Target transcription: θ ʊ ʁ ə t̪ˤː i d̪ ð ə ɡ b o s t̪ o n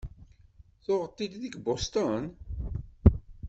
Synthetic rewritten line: θ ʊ ʁ ə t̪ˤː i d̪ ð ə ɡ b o s t̪ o n